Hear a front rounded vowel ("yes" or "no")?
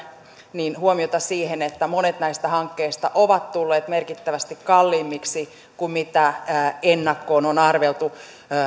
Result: no